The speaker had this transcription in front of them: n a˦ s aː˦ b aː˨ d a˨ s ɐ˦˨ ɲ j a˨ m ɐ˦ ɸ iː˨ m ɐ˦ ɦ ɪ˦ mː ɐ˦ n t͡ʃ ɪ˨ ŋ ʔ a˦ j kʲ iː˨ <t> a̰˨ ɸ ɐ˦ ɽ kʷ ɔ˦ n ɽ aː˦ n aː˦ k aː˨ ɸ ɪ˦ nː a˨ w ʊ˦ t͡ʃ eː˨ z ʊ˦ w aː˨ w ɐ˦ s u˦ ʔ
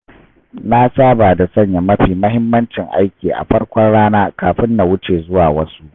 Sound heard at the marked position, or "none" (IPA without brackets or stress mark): ʔ